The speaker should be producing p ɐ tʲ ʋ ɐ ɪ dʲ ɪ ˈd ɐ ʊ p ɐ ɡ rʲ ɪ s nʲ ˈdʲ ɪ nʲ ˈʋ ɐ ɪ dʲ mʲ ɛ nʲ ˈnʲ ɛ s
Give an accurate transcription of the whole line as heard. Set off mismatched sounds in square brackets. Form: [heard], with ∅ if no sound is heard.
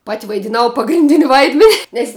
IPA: p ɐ tʲ ʋ ɐ ɪ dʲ ɪ [ˈn] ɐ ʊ p ɐ ɡ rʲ ɪ [∅] nʲ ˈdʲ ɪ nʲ ˈʋ ɐ ɪ dʲ mʲ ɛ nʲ ˈnʲ ɛ s